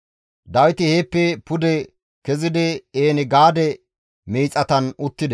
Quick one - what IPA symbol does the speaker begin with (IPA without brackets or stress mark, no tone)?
d̪